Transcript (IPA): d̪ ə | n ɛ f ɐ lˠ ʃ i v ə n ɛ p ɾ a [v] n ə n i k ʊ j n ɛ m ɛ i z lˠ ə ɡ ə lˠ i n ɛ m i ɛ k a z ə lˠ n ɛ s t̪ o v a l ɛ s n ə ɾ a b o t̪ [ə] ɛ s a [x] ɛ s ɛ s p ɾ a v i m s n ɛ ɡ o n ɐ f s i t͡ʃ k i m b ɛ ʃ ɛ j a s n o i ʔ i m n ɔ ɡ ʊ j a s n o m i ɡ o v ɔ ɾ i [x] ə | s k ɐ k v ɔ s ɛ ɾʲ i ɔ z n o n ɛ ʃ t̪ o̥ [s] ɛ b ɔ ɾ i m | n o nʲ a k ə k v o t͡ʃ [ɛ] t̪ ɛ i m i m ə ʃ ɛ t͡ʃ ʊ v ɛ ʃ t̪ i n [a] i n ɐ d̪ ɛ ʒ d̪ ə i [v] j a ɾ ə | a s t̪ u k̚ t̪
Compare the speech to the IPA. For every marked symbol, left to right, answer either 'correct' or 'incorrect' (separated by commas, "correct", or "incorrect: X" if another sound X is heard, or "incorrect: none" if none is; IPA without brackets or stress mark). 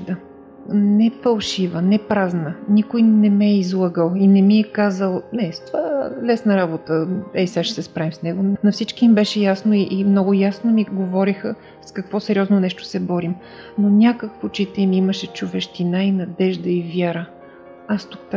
incorrect: z, correct, incorrect: ʃ, correct, correct, incorrect: i, correct, correct